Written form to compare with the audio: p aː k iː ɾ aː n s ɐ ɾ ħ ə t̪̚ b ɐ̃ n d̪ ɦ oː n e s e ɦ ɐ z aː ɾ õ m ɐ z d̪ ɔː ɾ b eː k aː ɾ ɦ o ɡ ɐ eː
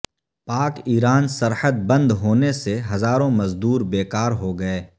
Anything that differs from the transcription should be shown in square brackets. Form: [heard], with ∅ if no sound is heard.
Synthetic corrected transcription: p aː k iː ɾ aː n s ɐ ɾ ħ ə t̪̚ b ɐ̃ n d̪ ɦ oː n e s e ɦ ɐ z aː ɾ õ m ɐ z d̪ [uː] ɾ b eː k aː ɾ ɦ o ɡ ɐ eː